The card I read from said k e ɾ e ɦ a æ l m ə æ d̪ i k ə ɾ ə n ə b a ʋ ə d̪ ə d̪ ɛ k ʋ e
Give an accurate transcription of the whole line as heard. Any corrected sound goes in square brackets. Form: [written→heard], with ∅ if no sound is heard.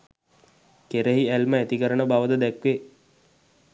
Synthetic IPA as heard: k e ɾ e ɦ [a→i] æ l m ə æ [d̪→t̪] i k ə ɾ ə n ə b a ʋ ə d̪ ə d̪ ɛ k ʋ e